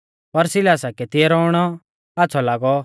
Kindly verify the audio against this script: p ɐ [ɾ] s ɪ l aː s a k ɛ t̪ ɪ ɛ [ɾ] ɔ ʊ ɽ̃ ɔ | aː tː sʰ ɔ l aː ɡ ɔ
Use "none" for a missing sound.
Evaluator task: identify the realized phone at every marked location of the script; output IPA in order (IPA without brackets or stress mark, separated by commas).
ɾ, ɾ